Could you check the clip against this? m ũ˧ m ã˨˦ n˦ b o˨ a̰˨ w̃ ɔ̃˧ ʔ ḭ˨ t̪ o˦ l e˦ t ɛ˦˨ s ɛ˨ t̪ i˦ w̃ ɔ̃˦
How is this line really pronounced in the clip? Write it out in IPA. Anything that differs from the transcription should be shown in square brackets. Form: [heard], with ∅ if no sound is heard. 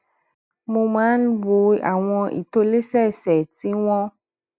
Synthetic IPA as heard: m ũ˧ m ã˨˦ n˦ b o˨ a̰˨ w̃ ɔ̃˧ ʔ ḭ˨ t̪ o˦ l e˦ [s] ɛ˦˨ s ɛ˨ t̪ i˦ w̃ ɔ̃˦